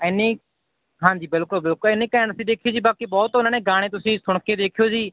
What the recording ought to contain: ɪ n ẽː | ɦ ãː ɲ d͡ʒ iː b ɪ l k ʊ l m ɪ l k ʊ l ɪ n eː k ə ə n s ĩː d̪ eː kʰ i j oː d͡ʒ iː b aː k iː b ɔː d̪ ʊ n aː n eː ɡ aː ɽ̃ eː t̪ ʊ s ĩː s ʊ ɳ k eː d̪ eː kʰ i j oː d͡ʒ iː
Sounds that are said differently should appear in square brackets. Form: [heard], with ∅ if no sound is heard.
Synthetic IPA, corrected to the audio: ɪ n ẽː | ɦ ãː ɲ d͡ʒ iː b ɪ l k ʊ l [b] ɪ l k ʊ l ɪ n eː k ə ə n s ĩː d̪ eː kʰ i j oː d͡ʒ iː b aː k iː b ɔː [t̪] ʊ n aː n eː ɡ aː ɽ̃ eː t̪ ʊ s ĩː s ʊ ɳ k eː d̪ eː kʰ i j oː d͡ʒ iː